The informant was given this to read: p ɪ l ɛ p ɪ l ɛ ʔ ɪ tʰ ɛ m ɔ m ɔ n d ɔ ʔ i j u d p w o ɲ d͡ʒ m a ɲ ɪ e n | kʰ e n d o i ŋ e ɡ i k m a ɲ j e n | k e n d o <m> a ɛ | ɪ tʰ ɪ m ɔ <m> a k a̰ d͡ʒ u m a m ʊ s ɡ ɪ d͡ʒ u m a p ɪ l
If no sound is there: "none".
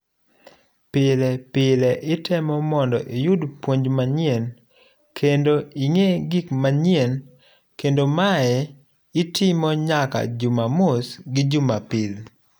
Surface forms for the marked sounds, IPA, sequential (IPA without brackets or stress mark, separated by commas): m, ɲ